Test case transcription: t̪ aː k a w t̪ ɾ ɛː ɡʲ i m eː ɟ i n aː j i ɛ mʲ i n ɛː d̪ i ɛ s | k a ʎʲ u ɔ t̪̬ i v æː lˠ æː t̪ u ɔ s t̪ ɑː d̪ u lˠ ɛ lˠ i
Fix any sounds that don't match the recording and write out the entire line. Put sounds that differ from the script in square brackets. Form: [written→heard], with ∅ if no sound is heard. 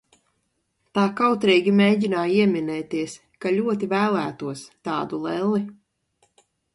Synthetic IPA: t̪ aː k a w t̪ ɾ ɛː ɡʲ i m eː ɟ i n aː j i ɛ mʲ i n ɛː [d̪→t̪] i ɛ s | k a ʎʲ u ɔ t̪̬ i v æː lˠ æː t̪ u ɔ s t̪ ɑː d̪ u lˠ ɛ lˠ i

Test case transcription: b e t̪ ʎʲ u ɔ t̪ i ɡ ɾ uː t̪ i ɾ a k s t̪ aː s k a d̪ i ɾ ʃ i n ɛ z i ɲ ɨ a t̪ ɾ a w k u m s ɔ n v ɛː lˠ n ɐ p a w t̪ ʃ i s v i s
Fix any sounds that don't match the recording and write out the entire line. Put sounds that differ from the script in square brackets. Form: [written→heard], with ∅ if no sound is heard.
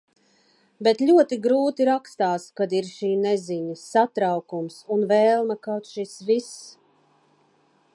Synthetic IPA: b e t̪ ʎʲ u ɔ t̪ i ɡ ɾ uː t̪ i ɾ a k s t̪ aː s k a d̪ i ɾ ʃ [i→iː] n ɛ z i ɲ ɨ a t̪ ɾ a w k u m s [ɔ→u] n v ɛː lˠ [n→m] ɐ [p→k] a w t̪ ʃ i s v i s

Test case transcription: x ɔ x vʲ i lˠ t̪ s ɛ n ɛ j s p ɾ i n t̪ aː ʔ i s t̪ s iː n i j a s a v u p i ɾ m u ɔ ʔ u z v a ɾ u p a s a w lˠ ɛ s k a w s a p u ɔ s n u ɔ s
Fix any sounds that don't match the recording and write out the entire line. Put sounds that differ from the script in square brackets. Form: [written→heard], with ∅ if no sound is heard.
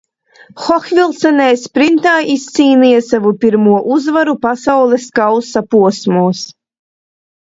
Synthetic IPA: x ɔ x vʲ i lˠ t̪ s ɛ n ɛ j s p ɾ i n t̪ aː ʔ i s t̪ s iː n i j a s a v u p i ɾ m u ɔ ʔ u z v a ɾ u p a s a w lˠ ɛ s k a w s a p u ɔ s [n→m] u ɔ s

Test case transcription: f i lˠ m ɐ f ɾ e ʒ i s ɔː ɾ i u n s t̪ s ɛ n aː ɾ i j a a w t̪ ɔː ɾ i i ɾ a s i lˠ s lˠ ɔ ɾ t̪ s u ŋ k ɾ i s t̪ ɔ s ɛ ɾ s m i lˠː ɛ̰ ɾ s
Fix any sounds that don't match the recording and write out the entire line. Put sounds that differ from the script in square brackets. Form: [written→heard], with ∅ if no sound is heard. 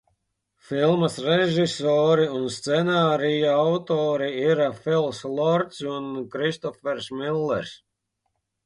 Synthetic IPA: f i lˠ m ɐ [f→s] ɾ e ʒ i s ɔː ɾ i u n s t̪ s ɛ n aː ɾ i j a a w t̪ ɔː ɾ i i ɾ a [s→f] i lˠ s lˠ ɔ ɾ t̪ s u [ŋ→n] k ɾ i s t̪ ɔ [s→f] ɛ ɾ s m i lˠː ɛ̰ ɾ s

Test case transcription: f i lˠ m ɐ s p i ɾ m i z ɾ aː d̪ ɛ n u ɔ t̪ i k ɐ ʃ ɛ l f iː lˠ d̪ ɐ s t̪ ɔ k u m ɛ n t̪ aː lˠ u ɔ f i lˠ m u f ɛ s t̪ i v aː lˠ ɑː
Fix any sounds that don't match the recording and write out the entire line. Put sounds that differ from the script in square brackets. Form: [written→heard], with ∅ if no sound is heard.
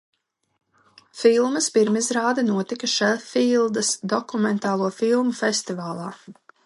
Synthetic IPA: f i lˠ m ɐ s p i ɾ m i z ɾ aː d̪ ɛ n u ɔ t̪ i k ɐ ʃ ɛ l f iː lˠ d̪ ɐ s [t̪→d̪] ɔ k u m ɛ n t̪ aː lˠ u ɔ f i lˠ m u f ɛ s t̪ i v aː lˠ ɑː

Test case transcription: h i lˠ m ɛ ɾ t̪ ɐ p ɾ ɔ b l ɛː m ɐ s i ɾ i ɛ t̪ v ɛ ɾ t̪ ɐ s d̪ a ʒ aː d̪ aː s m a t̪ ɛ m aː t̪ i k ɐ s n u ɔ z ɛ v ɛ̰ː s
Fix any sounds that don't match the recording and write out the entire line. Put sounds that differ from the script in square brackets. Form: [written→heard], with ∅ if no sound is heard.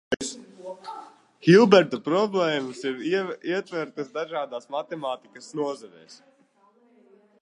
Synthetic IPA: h i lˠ [m→b] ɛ ɾ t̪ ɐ p ɾ ɔ b l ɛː m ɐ s i ɾ i ɛ t̪ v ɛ ɾ t̪ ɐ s d̪ a ʒ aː d̪ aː s m a t̪ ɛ m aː t̪ i k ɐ s n u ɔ z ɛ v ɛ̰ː s

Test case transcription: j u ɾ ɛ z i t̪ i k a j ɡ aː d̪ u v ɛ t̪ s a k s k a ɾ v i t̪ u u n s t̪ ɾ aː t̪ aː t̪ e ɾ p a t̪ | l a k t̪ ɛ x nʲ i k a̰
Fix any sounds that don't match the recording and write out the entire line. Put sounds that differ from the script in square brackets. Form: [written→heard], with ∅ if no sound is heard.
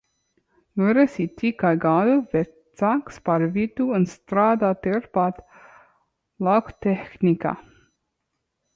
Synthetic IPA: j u ɾ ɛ [z→s] i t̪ i k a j ɡ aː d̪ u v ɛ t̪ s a k s [k→p] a ɾ v i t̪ u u n s t̪ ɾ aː [t̪→d̪] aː t̪ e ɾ p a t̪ | l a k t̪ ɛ x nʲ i k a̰

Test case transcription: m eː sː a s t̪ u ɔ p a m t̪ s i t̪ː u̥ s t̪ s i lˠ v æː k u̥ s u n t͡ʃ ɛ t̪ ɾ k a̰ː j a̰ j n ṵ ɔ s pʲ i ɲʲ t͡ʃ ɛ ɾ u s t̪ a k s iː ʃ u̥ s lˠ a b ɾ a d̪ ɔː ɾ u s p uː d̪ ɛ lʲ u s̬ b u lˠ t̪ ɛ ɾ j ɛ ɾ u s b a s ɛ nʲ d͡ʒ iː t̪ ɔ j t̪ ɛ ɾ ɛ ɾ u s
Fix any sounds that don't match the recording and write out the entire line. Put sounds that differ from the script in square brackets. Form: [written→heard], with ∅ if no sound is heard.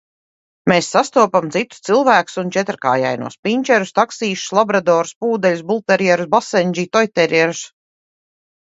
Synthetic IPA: m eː sː a s t̪ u ɔ p a m t̪ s i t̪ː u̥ s t̪ s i lˠ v æː k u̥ s u n t͡ʃ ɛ t̪ ɾ k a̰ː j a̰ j n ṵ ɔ s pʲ i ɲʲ t͡ʃ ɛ ɾ u s t̪ a k s iː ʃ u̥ s lˠ a b ɾ a d̪ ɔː ɾ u s p uː d̪ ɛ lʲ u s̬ b u lˠ t̪ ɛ ɾ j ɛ ɾ u s b a s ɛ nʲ d͡ʒ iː t̪ ɔ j t̪ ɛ ɾ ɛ ɾ u s

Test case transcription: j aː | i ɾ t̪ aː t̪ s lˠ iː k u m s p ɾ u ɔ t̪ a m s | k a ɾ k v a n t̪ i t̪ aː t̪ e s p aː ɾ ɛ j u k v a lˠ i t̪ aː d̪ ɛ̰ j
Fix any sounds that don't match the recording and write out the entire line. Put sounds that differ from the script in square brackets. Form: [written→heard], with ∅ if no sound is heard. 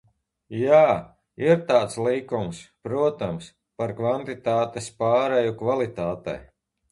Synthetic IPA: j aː | i ɾ t̪ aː t̪ s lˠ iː k u m s p ɾ u ɔ t̪ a m s | [k→p] a ɾ k v a n t̪ i t̪ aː t̪ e s p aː ɾ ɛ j u k v a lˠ i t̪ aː [d̪→t̪] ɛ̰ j

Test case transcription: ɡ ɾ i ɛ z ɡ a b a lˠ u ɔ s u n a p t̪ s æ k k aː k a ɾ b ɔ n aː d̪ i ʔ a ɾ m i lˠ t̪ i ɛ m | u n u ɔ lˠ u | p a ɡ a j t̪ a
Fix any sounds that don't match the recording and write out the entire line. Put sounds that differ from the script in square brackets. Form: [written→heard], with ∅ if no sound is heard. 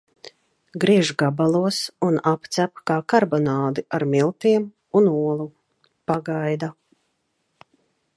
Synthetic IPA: ɡ ɾ i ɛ [z→ʒ] ɡ a b a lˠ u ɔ s u n a p t̪ s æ [k→p] k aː k a ɾ b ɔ n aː d̪ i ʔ a ɾ m i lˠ t̪ i ɛ m | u n u ɔ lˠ u | p a ɡ a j [t̪→d̪] a

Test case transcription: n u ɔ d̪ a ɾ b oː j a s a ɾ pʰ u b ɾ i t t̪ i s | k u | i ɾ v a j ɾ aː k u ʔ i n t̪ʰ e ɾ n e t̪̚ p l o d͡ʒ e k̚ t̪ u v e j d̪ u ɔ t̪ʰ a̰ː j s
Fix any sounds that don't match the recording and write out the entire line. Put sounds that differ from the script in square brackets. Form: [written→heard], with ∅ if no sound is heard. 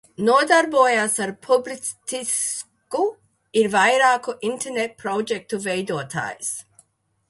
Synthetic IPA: n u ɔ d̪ a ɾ b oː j a s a ɾ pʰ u b [ɾ→l] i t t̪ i s | k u | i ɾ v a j ɾ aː k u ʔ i n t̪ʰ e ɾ n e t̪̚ p [l→ɾ] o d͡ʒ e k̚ t̪ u v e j d̪ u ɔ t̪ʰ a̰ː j s

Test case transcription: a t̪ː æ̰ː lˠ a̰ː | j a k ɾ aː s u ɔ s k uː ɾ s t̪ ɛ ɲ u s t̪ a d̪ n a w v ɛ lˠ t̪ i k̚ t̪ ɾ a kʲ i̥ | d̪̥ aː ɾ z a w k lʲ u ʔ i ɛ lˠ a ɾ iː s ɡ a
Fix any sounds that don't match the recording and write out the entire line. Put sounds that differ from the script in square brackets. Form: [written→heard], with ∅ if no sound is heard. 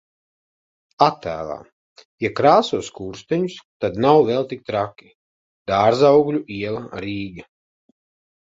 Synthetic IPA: a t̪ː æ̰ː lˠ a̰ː | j a k ɾ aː s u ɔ s k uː ɾ s t̪ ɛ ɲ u s t̪ a d̪ n a w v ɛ lˠ t̪ i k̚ t̪ ɾ a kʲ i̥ | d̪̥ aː ɾ z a w [k→ɡ] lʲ u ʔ i ɛ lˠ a ɾ iː [s→∅] ɡ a

